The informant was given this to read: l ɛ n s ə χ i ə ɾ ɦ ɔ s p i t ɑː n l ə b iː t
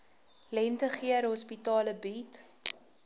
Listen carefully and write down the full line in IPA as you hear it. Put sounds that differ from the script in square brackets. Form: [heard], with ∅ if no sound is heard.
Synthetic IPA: l ɛ n [t] ə χ i ə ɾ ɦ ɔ s p i t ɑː [∅] l ə b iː t